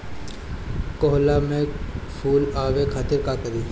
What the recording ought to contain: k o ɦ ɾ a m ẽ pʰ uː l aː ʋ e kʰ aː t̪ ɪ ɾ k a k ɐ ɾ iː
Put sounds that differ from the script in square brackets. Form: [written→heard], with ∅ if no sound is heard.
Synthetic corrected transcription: k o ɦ [ɾ→l] a m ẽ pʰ uː l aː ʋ e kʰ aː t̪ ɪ ɾ k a k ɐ ɾ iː

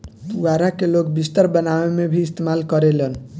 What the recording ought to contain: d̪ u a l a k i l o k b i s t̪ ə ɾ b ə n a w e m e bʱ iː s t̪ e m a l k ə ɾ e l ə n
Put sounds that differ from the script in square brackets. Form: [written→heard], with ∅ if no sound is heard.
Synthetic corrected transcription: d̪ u a [l→ɾ] a k [i→e] l o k b i s t̪ ə ɾ b ə n a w e m e bʱ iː s t̪ e m a l k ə ɾ e l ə n

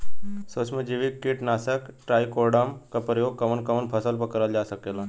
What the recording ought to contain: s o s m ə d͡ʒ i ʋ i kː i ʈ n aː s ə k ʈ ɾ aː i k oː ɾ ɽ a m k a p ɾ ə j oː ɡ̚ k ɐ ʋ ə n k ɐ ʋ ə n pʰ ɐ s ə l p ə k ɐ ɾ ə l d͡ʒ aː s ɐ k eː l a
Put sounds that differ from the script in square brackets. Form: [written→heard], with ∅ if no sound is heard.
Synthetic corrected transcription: s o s m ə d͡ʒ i ʋ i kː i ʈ n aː s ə k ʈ ɾ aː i k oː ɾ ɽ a m k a p ɾ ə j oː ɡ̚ k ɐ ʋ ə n k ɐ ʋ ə n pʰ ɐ s ə l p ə k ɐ ɾ ə l d͡ʒ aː s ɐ k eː l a

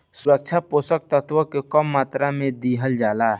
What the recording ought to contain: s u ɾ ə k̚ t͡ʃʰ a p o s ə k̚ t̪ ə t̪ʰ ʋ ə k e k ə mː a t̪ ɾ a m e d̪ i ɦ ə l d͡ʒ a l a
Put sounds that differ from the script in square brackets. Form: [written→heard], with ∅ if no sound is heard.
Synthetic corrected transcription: s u ɾ ə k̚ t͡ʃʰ a p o s ə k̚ t̪ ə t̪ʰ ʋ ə k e k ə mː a t̪ ɾ a m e d̪ i ɦ ə l d͡ʒ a l a

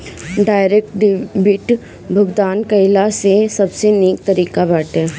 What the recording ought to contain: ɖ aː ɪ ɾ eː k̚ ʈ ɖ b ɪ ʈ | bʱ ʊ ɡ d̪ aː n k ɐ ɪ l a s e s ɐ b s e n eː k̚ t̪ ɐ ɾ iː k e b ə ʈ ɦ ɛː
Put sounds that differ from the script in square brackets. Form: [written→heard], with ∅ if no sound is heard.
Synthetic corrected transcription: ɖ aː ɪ ɾ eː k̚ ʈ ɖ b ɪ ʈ | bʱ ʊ ɡ d̪ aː n k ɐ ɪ l a s e s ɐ b s e n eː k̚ t̪ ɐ ɾ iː k [e→a] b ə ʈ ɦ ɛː

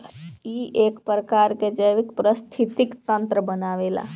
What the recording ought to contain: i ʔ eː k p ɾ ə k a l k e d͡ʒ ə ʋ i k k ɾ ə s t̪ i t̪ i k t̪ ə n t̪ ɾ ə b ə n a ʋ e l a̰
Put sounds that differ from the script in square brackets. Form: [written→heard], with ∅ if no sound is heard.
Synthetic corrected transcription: i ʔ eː k p ɾ ə k a [l→ɾ] k e d͡ʒ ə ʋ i k [k→p] ɾ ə s [t̪→t̪ʰ] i t̪ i k t̪ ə n t̪ ɾ ə b ə n a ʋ e l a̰

